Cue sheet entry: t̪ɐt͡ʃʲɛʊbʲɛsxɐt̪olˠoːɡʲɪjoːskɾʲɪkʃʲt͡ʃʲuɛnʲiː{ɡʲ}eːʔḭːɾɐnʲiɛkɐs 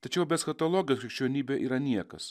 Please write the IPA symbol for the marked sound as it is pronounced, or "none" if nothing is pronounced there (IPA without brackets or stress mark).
bʲ